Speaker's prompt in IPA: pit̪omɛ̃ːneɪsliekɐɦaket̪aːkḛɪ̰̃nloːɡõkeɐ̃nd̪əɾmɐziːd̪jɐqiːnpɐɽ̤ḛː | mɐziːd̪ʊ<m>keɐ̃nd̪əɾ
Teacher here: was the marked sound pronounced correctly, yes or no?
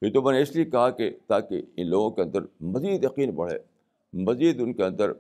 no